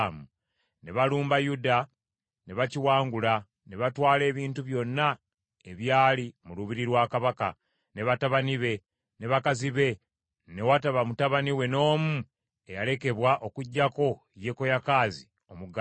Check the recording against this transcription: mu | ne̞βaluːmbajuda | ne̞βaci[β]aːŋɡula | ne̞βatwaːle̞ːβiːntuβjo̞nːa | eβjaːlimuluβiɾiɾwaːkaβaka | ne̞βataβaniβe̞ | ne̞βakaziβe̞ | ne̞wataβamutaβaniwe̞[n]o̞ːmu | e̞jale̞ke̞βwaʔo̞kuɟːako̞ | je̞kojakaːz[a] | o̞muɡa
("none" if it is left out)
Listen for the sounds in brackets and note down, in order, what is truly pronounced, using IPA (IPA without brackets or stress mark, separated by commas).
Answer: w, n, i